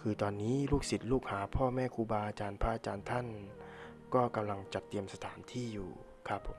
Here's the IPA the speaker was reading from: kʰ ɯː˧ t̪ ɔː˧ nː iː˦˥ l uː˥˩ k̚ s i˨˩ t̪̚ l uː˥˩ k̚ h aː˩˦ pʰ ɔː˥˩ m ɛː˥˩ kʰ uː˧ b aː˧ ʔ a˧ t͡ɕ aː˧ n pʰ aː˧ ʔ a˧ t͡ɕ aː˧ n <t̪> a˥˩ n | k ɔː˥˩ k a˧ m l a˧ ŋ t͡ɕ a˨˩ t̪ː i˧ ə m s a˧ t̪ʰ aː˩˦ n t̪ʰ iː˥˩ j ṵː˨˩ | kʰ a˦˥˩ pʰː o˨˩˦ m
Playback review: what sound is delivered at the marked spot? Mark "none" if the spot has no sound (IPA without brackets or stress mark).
t̪ʰ